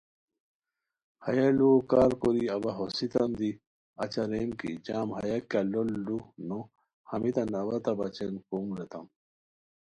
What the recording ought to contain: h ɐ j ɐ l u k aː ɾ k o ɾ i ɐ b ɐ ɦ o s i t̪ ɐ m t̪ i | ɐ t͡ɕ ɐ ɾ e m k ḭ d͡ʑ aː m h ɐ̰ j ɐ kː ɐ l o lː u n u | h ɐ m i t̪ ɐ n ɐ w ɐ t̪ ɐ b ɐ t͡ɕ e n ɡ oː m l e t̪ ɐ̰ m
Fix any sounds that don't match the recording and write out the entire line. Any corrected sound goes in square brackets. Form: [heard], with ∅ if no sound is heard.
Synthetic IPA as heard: h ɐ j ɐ l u k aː ɾ k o ɾ i ɐ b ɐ ɦ o s i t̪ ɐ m [d̪] i | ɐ t͡ɕ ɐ ɾ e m k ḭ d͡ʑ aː m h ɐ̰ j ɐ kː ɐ l o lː u n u | h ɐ m i t̪ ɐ n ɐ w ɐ t̪ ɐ b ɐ t͡ɕ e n [k] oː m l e t̪ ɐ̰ m